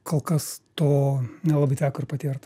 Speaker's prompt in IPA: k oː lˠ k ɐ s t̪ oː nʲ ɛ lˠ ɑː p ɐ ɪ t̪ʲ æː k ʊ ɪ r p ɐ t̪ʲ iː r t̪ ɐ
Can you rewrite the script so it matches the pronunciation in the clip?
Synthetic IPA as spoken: k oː lˠ k ɐ s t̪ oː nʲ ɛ lˠ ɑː b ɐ ɪ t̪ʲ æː k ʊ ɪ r p ɐ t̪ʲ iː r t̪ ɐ